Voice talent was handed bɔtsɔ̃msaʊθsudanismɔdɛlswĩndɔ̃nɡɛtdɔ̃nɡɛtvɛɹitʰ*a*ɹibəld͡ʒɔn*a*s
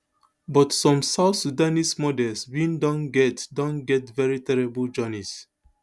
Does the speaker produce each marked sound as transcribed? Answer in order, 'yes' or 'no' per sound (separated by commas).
no, no